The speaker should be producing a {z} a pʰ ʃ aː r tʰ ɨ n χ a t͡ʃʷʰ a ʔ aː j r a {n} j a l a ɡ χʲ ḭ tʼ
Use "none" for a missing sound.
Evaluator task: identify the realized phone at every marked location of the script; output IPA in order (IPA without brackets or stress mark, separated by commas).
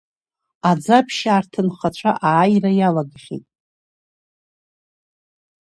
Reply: d͡z, none